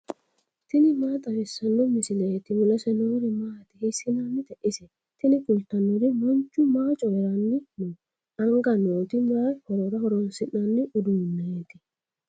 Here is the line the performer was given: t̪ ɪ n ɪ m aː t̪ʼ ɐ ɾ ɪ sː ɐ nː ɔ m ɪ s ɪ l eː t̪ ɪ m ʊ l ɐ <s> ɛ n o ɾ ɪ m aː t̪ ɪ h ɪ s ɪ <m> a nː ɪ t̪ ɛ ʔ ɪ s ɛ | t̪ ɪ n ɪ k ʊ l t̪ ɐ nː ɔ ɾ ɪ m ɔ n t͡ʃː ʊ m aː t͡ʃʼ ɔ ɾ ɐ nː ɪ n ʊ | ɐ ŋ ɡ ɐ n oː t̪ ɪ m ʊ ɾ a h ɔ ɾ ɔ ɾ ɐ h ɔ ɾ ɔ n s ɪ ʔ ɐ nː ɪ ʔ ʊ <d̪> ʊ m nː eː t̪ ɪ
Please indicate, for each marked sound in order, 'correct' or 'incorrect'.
correct, incorrect: n, correct

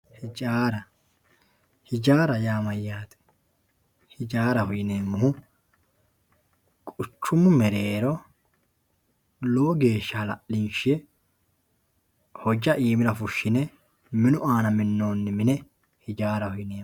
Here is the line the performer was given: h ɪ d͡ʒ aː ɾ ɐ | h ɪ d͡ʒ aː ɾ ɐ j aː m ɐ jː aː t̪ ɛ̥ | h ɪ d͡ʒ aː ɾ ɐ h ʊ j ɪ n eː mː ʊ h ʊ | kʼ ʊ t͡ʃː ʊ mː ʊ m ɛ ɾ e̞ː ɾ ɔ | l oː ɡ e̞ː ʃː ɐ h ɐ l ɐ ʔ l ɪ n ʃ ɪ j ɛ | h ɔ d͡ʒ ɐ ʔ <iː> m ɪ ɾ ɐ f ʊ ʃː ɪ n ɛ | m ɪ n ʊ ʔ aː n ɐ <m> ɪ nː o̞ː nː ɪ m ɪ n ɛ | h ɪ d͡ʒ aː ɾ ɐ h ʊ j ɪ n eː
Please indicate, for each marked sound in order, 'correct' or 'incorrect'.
correct, correct

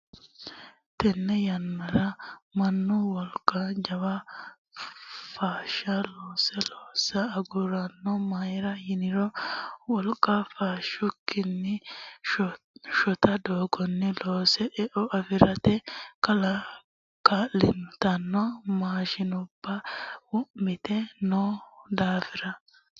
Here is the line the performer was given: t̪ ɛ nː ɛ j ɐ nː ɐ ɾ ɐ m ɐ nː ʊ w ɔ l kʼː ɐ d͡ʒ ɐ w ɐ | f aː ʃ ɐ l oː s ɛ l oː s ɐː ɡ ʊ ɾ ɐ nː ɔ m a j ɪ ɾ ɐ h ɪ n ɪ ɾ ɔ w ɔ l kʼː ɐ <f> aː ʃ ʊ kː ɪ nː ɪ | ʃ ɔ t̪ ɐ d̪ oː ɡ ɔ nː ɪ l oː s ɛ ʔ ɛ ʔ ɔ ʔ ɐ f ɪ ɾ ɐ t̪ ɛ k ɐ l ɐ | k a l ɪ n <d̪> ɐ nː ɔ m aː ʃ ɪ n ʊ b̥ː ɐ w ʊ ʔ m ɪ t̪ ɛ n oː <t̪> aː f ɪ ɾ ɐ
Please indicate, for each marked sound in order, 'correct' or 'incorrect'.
correct, incorrect: t̪, incorrect: d̪

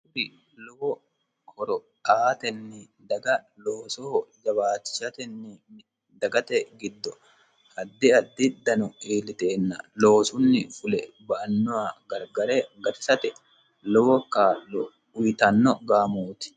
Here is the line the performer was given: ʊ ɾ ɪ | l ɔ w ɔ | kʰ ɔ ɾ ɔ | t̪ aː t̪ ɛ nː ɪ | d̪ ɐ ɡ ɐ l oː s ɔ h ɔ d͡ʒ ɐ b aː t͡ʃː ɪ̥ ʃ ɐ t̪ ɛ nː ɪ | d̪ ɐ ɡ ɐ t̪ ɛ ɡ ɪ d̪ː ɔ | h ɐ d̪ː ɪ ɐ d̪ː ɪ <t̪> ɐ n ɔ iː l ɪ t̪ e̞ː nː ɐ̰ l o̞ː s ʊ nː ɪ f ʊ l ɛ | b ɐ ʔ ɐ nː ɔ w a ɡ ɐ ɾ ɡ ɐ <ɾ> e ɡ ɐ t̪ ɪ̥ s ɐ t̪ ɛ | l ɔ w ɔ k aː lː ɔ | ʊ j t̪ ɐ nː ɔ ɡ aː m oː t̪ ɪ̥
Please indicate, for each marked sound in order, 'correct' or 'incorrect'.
incorrect: d̪, correct

